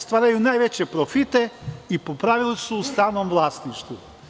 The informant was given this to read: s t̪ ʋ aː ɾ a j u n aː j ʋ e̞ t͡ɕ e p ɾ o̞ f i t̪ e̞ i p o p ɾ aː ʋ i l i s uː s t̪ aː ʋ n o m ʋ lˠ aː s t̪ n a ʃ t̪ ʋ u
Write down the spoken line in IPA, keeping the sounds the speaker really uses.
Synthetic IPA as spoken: s t̪ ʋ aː ɾ a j u n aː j ʋ e̞ t͡ɕ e p ɾ o̞ f i t̪ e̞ i p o p ɾ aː ʋ i l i s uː s t̪ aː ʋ n o m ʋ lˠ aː s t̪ n i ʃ t̪ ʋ u